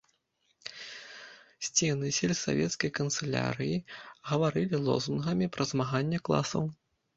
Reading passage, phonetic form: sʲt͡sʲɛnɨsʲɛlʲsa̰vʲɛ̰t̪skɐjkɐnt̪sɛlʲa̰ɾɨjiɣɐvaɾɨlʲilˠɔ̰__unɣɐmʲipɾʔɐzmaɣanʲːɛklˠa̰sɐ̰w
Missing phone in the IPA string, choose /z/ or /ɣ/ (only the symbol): z